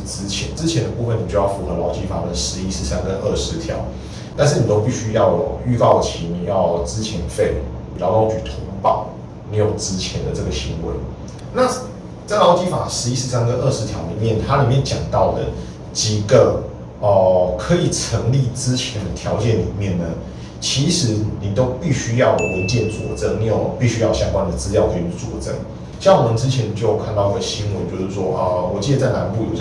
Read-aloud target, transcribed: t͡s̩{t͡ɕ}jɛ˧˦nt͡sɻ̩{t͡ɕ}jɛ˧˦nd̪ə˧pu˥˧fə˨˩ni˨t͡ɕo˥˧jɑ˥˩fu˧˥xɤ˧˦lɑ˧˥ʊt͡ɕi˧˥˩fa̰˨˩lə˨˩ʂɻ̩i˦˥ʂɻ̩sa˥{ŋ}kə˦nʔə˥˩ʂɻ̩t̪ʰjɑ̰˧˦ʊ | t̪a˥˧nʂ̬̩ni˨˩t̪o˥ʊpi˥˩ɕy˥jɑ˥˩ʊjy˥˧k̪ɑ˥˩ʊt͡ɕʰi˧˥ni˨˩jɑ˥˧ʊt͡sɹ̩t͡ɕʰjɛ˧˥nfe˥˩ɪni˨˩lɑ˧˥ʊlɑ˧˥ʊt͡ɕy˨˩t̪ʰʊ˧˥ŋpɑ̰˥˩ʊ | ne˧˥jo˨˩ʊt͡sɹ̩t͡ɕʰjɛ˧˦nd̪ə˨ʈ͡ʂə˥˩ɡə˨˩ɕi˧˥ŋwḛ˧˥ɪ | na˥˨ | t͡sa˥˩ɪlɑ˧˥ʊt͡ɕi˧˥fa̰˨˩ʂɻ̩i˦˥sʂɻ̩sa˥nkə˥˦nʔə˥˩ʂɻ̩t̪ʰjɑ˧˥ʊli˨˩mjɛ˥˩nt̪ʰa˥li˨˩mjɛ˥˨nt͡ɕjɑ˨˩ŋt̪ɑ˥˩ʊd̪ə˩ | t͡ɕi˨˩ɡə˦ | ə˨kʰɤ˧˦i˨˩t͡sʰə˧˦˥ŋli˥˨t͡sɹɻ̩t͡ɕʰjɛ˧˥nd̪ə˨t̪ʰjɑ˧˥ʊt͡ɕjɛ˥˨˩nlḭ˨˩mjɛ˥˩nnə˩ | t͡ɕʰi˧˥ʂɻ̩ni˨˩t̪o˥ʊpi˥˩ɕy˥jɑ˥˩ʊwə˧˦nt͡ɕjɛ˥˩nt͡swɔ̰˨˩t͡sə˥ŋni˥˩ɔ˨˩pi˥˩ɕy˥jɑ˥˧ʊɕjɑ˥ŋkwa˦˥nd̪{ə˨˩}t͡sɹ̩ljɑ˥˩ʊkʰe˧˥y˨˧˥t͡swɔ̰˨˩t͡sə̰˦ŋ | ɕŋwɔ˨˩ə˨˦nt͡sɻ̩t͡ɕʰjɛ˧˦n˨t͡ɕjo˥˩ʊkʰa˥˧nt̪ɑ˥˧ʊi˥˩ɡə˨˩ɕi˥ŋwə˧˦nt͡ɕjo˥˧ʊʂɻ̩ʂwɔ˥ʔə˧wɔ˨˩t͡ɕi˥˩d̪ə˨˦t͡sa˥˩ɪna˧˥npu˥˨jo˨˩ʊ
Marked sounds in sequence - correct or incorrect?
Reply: incorrect, incorrect, incorrect, correct

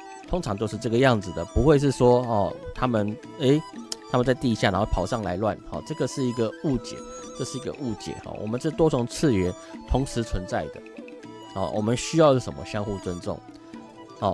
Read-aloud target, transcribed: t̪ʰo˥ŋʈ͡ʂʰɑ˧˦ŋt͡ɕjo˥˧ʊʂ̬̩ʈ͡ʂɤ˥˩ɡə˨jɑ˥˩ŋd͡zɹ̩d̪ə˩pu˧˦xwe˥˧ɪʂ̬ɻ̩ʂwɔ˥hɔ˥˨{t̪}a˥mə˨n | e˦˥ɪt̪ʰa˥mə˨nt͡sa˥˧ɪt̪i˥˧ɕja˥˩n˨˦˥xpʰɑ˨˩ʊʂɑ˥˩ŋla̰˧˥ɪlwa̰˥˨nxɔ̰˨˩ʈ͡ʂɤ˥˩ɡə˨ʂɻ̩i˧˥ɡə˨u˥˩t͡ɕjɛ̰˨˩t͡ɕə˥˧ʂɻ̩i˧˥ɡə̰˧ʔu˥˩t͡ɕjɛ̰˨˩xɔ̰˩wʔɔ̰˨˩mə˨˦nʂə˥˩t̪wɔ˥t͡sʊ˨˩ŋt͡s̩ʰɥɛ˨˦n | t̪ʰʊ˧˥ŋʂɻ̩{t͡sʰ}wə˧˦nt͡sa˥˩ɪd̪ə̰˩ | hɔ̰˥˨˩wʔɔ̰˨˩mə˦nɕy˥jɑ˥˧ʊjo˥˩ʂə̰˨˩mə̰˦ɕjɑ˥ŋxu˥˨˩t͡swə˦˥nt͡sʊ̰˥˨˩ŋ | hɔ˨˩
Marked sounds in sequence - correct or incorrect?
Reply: incorrect, correct

